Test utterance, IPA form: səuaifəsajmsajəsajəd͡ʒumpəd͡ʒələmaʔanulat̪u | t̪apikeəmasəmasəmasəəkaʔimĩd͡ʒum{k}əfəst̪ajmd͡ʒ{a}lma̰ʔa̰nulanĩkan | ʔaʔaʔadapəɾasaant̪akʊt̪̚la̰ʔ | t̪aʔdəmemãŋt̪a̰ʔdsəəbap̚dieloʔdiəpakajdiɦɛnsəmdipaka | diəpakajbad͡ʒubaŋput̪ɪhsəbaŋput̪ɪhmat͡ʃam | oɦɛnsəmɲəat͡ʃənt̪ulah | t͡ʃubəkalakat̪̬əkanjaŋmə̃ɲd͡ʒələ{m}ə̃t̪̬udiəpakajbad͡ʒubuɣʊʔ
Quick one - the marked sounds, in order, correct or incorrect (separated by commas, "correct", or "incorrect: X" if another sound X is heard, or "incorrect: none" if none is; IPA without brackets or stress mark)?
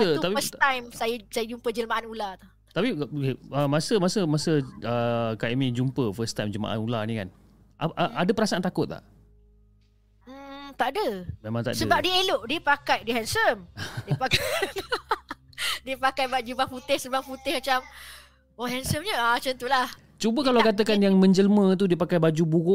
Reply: incorrect: p, incorrect: ə, correct